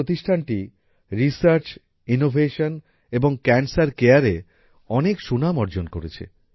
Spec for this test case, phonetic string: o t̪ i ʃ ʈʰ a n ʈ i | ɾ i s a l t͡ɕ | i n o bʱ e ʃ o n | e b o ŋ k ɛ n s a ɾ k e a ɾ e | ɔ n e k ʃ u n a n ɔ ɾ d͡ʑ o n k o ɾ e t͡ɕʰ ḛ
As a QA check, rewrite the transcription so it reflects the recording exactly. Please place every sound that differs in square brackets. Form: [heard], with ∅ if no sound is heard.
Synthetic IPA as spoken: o t̪ i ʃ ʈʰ a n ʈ i | ɾ i s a [ɾ] t͡ɕ | i n o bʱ e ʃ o n | e b o ŋ k ɛ n s a ɾ k e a ɾ e | ɔ n e k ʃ u n a [m] ɔ ɾ d͡ʑ o n k o ɾ e t͡ɕʰ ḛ